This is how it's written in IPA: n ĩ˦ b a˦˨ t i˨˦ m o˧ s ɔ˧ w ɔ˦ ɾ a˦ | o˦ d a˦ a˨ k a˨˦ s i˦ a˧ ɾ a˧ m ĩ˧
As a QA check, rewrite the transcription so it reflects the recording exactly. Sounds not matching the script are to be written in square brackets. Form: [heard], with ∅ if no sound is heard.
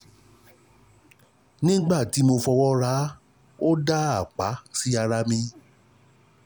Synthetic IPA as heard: n ĩ˦ [ɡ͡b] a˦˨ t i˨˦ m o˧ [f] ɔ˧ w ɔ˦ ɾ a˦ | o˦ d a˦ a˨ [k͡p] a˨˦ s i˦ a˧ ɾ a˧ m ĩ˧